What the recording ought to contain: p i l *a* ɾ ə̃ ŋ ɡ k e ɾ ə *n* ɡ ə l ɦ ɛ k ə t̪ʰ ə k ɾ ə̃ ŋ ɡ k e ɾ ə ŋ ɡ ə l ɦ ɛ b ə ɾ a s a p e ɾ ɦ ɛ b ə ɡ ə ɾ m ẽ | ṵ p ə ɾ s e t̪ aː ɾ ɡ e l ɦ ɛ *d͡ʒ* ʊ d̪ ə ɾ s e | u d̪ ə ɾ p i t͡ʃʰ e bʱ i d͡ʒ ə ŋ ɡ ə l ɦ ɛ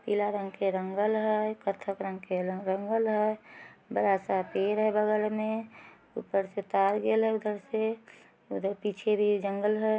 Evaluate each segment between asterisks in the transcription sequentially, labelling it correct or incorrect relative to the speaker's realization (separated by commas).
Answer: correct, incorrect, incorrect